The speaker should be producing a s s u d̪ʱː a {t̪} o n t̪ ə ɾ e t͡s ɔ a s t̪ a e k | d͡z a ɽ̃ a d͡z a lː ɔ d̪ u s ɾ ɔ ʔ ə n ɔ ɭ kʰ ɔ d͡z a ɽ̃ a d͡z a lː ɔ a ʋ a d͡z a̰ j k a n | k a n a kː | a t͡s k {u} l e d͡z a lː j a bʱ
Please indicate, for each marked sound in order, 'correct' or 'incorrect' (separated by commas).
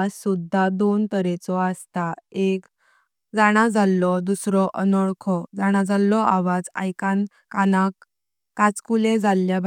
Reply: incorrect, correct